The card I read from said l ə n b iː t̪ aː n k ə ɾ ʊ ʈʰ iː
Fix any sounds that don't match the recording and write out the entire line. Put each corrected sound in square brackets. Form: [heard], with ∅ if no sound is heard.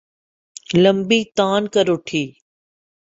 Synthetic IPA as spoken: l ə [m] b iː t̪ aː n k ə ɾ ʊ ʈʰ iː

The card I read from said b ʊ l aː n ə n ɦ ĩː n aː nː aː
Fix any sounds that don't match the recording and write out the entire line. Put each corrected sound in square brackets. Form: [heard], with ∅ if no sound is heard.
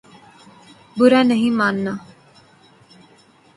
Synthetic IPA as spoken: b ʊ [ɾ] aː n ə [∅] ɦ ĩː [m] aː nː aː

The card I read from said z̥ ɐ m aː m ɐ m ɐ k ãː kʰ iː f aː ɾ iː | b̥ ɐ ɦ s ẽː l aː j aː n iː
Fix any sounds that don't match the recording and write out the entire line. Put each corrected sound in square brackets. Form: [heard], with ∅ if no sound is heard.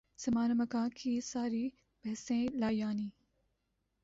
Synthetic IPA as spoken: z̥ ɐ m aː [n] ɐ m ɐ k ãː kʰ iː [s] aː ɾ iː | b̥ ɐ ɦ s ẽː l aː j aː n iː

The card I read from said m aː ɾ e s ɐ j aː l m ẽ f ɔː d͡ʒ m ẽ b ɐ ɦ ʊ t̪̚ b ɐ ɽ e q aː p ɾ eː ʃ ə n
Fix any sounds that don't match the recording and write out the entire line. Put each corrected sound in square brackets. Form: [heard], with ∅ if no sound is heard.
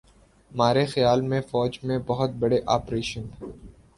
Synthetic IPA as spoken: m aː ɾ e [x] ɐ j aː l m ẽ f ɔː d͡ʒ m ẽ b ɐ ɦ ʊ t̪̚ b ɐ ɽ e [ʔ] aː p ɾ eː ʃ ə n

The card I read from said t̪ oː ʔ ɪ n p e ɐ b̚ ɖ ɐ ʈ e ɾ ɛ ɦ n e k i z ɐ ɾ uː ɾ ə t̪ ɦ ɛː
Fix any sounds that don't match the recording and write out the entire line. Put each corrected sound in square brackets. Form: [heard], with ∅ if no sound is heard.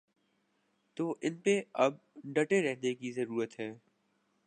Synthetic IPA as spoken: t̪ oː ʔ ɪ n p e ɐ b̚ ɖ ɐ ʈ e ɾ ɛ ɦ n e k i z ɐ ɾ uː ɾ ə t̪ ɦ ɛː

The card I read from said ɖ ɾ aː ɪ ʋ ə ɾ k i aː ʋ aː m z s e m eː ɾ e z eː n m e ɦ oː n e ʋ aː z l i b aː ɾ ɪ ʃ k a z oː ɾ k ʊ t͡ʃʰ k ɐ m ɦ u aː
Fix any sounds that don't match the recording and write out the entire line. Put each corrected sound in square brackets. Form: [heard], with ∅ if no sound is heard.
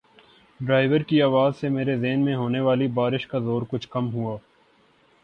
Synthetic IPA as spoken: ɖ ɾ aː ɪ ʋ ə ɾ k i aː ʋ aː [∅] z s e m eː ɾ e z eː n m [ẽ] ɦ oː n e ʋ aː [∅] l i b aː ɾ ɪ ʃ k a z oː ɾ k ʊ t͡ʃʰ k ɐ m ɦ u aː

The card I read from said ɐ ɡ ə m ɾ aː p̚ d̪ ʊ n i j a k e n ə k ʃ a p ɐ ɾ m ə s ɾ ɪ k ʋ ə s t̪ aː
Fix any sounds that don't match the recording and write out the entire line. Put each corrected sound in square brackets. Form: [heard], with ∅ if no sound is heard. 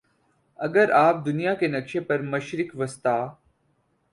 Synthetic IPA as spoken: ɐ ɡ ə [∅] ɾ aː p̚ d̪ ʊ n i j a k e n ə k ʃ [e] p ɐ ɾ m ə [ʃ] ɾ ɪ k ʋ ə s t̪ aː

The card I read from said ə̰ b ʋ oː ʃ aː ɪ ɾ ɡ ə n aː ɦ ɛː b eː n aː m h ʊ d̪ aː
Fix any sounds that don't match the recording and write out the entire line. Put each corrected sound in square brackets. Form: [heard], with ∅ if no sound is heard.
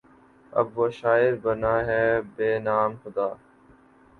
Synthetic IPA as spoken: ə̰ b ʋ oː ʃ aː ɪ ɾ [b] ə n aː ɦ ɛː b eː n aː m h ʊ d̪ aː

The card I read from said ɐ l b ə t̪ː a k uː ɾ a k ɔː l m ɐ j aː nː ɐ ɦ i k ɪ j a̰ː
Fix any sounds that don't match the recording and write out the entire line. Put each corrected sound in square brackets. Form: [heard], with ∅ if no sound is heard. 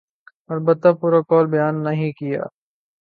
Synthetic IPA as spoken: ɐ l b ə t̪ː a [p] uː ɾ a k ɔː l [b] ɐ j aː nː ɐ ɦ [ĩ] k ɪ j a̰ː

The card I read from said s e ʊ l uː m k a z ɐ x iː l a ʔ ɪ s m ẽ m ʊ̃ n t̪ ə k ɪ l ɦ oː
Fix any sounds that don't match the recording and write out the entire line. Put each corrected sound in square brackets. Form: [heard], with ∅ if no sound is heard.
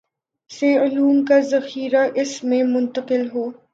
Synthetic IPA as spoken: s e ʊ l uː m k a z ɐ x iː [ɾ] a ʔ ɪ s m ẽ m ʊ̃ n t̪ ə [q] ɪ l ɦ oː

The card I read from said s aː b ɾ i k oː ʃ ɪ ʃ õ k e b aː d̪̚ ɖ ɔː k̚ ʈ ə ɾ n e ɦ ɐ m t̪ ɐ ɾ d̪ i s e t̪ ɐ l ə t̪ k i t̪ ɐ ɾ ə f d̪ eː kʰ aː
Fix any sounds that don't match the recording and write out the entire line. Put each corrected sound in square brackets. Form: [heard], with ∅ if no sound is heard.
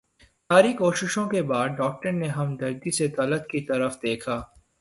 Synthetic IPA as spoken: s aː [∅] ɾ i k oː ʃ ɪ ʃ õ k e b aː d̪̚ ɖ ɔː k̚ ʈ ə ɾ n e ɦ ɐ m [d̪] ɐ ɾ d̪ i s e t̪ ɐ l ə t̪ k i t̪ ɐ ɾ ə f d̪ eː kʰ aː

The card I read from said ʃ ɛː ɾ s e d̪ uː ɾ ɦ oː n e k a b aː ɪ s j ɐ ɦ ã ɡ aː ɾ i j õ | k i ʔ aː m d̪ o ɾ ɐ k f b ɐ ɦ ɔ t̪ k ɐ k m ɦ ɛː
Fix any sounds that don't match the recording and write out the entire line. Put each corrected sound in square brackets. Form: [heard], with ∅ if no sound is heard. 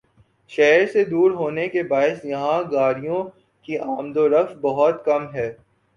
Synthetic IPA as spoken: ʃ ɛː ɾ s e d̪ uː ɾ ɦ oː n e k [e] b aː ɪ s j ɐ ɦ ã ɡ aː ɾ i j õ | k i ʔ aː m d̪ o ɾ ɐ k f b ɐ ɦ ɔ t̪ k ɐ [∅] m ɦ ɛː

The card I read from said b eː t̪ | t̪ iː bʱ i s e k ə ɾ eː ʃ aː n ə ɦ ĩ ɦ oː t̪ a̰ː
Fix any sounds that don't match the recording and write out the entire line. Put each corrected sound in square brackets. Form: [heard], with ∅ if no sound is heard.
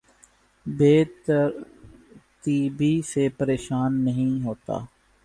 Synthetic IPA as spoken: b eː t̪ | t̪ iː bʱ i s e [p] ə ɾ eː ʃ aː [nː] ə ɦ ĩ ɦ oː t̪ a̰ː

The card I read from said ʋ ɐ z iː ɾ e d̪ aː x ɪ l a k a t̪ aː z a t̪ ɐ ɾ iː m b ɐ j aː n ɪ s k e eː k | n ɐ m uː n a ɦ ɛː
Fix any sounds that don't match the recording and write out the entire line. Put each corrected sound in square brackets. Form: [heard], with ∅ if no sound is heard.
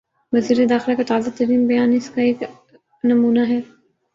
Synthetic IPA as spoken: ʋ ɐ z iː ɾ e d̪ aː x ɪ l a k a t̪ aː z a t̪ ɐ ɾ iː m b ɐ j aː n ɪ s k [a] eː k | n ɐ m uː n a ɦ ɛː

